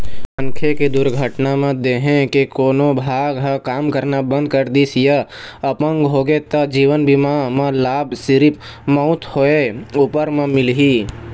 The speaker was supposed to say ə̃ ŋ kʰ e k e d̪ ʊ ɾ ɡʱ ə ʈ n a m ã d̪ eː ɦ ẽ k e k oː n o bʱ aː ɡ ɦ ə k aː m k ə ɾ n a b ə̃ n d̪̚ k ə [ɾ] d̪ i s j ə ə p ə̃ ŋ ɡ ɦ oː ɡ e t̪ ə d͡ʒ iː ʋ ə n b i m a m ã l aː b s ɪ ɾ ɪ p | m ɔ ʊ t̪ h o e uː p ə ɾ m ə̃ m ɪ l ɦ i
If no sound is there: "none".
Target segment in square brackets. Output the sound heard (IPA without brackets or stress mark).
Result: ɾ